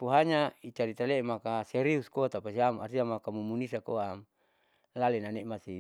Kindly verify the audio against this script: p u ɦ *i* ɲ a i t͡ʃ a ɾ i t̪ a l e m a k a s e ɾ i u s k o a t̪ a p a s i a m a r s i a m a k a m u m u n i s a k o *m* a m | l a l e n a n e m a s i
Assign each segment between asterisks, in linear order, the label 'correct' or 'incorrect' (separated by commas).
incorrect, incorrect